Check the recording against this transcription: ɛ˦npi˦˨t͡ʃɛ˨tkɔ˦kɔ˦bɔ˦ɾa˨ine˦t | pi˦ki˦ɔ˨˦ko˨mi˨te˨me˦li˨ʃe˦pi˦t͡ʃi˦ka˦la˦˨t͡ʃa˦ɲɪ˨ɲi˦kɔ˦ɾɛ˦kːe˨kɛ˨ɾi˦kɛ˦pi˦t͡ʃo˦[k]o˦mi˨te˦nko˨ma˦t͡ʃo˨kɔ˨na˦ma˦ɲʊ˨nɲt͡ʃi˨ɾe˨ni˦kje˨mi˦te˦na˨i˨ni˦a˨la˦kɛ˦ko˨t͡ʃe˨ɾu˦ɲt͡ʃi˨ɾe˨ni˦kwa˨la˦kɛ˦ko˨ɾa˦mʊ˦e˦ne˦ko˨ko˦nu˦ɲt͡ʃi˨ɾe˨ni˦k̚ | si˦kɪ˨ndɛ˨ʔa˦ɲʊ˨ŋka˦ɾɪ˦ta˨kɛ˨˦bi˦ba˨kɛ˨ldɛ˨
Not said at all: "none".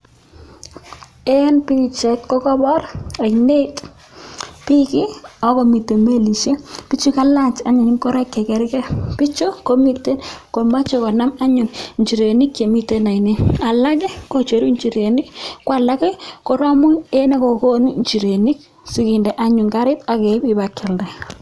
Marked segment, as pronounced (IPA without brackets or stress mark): k